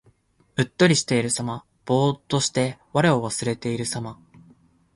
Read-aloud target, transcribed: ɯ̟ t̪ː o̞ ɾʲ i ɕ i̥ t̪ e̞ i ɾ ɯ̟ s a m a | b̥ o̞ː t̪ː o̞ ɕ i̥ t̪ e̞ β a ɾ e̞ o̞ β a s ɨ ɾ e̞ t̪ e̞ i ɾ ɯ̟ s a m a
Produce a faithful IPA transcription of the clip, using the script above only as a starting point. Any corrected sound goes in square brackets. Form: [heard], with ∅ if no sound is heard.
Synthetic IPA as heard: ɯ̟ t̪ː o̞ ɾʲ i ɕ i̥ t̪ e̞ i ɾ ɯ̟ s a m a | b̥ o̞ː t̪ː o̞ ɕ i̥ t̪ e̞ β a ɾ e̞ o̞ β a s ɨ ɾ e̞ t̪ e̞ i ɾ ɯ̟ s a m a